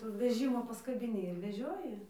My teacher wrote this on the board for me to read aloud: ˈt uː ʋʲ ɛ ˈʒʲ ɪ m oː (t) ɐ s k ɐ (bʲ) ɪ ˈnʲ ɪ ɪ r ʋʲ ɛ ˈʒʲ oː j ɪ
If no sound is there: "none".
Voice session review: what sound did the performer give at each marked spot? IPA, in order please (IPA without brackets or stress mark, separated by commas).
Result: p, bʲ